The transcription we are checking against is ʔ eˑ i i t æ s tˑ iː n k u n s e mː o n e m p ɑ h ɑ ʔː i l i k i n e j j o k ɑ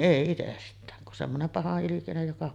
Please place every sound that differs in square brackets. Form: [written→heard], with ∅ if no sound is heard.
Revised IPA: ʔ eˑ i i t [æ→e] s tˑ [iː→æː] n k u n s e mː o n e m p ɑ h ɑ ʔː i l i k i n e j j o k ɑ